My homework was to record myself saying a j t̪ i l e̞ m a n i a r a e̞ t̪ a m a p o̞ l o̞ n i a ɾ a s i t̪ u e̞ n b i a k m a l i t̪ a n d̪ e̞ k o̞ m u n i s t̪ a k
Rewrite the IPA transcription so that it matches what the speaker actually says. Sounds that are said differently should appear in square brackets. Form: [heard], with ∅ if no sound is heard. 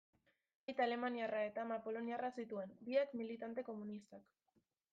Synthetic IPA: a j t̪ [a] l e̞ m a n i a r a e̞ t̪ a m a p o̞ l o̞ n i a [r] a s i t̪ u e̞ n b i a k m [i] l i t̪ a n [t̪] e̞ k o̞ m u n i s t̪ a k